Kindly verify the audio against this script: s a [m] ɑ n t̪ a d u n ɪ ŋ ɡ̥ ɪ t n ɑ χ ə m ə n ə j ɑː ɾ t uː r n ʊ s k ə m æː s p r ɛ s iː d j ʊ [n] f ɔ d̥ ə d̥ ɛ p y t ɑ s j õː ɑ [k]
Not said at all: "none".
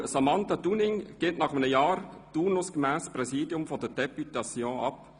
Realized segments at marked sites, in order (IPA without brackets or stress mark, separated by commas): m, m, p